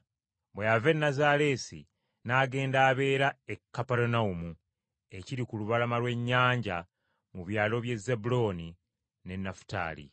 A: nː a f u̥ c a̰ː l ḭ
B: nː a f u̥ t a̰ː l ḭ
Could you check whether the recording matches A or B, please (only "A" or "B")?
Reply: B